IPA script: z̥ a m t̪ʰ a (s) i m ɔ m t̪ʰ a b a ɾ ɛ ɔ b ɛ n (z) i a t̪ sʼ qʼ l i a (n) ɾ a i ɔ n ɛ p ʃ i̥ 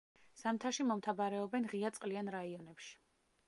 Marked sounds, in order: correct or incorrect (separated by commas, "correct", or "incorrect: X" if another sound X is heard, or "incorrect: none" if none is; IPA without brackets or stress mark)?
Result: incorrect: ʃ, incorrect: ʁ, correct